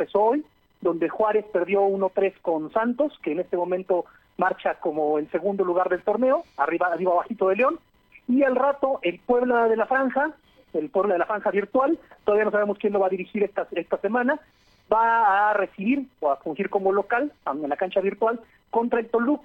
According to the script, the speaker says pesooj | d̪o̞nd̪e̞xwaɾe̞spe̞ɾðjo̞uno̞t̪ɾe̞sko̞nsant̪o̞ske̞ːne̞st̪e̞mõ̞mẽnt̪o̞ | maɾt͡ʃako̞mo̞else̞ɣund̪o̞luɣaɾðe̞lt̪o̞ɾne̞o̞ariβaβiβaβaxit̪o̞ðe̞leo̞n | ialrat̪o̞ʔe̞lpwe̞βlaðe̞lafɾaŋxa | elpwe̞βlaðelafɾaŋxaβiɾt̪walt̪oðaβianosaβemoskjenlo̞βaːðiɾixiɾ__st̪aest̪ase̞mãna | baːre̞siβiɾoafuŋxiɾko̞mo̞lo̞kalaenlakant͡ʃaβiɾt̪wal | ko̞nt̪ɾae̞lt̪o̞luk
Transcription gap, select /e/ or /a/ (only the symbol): e